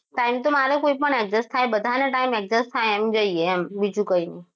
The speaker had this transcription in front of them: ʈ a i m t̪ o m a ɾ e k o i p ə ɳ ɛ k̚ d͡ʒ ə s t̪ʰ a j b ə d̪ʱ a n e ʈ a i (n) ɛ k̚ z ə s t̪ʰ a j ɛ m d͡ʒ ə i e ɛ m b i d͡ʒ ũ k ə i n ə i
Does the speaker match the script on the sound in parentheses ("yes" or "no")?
no